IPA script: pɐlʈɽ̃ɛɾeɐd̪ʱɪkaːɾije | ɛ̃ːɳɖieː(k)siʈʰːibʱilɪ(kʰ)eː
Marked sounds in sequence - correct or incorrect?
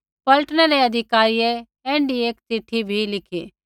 correct, correct

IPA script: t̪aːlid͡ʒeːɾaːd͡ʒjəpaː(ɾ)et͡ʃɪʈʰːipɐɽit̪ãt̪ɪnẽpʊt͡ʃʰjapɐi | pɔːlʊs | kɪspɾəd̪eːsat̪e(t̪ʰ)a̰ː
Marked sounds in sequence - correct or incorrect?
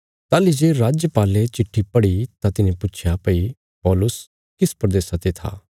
incorrect: l, correct

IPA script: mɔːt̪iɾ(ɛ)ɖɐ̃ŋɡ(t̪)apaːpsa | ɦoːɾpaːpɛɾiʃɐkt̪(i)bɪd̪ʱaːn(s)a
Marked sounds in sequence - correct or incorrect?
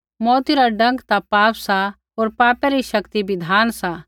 incorrect: a, correct, correct, correct

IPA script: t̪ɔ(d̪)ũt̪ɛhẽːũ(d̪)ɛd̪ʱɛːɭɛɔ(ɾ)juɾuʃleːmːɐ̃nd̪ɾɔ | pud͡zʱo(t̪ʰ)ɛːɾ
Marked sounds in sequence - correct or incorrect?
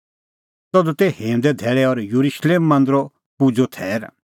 correct, correct, correct, correct

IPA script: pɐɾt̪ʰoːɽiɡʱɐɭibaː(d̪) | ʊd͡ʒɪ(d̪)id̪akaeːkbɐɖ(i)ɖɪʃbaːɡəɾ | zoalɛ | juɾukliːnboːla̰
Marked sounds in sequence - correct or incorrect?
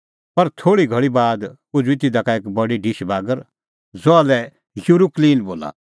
correct, incorrect: t̪, correct

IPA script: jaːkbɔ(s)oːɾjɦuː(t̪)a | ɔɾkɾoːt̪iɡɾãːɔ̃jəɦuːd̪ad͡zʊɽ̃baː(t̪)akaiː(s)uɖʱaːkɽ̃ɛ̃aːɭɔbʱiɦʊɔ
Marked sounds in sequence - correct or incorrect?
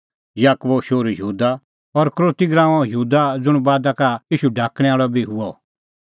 incorrect: ʃ, incorrect: d̪, incorrect: d̪, incorrect: ʃ

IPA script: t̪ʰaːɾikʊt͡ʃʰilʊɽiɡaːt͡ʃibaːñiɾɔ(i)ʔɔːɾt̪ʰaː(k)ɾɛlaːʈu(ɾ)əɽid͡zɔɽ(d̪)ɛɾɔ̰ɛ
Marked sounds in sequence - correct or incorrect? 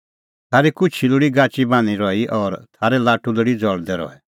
correct, incorrect: none, incorrect: l, correct

